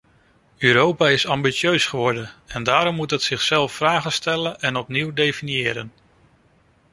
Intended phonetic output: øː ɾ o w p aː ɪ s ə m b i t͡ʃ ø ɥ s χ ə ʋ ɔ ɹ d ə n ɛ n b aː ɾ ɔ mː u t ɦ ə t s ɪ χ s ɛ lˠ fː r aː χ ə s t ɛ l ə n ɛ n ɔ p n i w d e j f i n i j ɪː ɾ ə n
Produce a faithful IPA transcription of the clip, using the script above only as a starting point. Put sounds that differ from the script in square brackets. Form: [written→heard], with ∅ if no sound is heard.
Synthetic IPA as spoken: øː ɾ o w p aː ɪ s [ə→ɑ] m b i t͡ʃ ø ɥ s χ ə ʋ ɔ ɹ d ə n ɛ n [b→d] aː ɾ ɔ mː u t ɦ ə t s ɪ χ s ɛ lˠ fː r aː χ ə s t ɛ l ə n ɛ n ɔ p n i w d e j f i n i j ɪː ɾ ə n

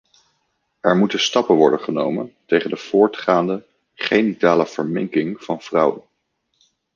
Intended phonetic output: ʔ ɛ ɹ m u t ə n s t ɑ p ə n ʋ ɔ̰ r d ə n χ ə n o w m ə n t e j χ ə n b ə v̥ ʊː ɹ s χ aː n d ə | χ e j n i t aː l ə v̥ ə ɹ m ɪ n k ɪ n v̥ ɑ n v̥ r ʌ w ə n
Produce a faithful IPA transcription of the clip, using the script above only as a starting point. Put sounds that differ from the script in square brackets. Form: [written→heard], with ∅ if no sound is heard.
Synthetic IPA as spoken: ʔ ɛ ɹ m u t ə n s t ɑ p ə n ʋ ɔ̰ [r→ɹ] d ə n χ ə n o w m ə n t e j χ ə n [b→d] ə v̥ ʊː ɹ [s→t] χ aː n d ə | χ e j n i t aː l ə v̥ ə ɹ m ɪ [n→ŋ] k ɪ [n→ŋ] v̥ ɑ n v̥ r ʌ w ə n

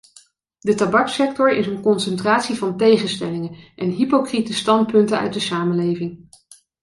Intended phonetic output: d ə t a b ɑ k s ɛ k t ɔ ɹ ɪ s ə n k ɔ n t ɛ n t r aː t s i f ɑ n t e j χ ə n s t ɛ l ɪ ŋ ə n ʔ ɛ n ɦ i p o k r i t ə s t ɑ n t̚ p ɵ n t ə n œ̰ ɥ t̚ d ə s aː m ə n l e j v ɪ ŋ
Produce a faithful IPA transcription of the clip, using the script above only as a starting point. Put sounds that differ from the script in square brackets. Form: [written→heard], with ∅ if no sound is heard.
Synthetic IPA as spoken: d ə t a b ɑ k s ɛ k t ɔ ɹ ɪ s ə n k ɔ n [t→s] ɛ n t r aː t s i [f→v] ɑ n t e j χ ə n s t ɛ l ɪ ŋ ə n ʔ ɛ n ɦ i p o k r i t ə s t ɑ n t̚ p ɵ n t ə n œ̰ ɥ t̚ d ə s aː m ə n l e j v ɪ ŋ

